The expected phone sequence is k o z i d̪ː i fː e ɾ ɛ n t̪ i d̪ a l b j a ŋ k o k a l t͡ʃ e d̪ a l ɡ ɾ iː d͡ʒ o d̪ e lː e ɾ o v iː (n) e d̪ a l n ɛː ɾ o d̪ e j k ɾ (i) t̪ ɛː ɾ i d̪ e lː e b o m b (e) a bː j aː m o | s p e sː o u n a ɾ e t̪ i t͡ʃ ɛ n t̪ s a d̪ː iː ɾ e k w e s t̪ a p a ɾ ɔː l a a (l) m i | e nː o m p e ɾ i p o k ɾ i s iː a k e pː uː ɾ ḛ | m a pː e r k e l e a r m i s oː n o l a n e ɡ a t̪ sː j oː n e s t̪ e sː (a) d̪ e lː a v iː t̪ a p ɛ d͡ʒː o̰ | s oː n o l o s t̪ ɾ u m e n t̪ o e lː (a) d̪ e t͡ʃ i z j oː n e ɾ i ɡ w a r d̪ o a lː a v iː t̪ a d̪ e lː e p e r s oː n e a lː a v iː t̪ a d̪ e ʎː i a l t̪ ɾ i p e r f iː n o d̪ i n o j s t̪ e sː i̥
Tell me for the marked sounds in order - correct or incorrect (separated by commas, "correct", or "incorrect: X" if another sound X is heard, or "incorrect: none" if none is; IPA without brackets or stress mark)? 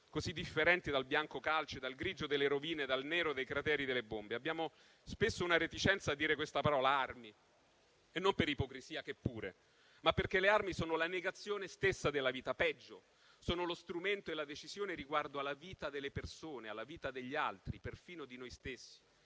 correct, incorrect: a, correct, incorrect: r, correct, correct